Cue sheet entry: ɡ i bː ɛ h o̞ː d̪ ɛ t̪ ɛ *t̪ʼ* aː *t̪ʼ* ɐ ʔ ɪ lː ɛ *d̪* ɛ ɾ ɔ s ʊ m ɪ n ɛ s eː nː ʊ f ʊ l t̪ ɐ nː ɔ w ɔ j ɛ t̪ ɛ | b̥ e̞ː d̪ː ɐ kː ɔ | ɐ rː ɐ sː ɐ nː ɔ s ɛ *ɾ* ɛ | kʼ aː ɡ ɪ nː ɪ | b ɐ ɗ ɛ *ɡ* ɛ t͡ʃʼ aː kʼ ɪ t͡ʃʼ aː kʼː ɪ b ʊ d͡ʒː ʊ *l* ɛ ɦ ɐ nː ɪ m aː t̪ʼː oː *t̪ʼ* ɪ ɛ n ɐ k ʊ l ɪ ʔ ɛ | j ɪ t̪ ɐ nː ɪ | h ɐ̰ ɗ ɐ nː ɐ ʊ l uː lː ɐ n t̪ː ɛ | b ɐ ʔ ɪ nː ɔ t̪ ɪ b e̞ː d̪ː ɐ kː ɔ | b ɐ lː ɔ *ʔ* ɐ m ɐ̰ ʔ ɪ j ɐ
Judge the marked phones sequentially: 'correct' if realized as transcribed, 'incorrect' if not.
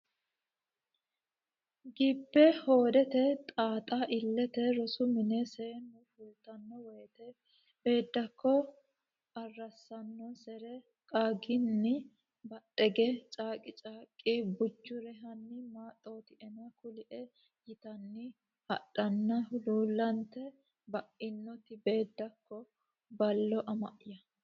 correct, correct, incorrect, correct, correct, incorrect, incorrect, correct

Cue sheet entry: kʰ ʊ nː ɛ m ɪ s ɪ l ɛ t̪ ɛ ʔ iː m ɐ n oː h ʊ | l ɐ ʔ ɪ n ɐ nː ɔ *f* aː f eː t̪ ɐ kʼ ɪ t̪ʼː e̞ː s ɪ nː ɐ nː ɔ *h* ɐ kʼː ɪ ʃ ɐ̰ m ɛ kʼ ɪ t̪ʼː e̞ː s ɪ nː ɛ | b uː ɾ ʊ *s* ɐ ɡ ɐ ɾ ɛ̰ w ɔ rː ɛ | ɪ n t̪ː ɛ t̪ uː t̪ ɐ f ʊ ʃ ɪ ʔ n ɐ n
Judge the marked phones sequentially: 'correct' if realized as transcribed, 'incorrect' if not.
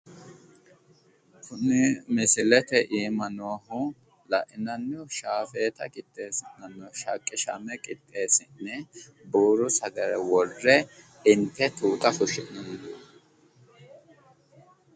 incorrect, incorrect, correct

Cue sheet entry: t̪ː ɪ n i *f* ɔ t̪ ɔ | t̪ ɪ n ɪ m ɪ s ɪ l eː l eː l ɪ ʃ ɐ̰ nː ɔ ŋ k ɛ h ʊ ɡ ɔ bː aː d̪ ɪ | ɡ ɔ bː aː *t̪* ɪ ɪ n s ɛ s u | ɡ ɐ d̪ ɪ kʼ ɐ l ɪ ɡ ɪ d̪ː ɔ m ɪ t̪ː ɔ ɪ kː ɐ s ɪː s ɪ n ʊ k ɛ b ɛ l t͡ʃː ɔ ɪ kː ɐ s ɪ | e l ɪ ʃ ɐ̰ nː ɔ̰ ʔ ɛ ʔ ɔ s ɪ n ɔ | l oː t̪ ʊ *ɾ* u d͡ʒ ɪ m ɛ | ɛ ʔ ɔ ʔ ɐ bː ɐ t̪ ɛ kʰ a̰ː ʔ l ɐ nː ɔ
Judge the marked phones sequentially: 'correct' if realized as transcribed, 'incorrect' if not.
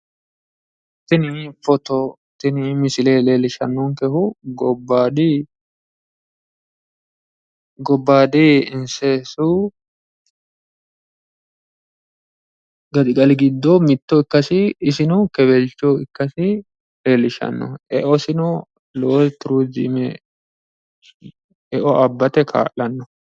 correct, incorrect, correct

